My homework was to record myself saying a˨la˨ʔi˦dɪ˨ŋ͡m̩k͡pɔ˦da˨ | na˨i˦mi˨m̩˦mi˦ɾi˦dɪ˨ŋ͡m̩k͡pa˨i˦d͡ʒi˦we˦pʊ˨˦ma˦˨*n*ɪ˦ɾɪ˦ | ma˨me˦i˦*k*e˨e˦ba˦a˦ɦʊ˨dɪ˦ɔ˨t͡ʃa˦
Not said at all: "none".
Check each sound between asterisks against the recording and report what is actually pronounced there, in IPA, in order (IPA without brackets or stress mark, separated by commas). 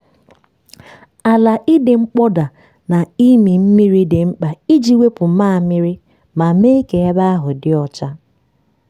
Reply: m, k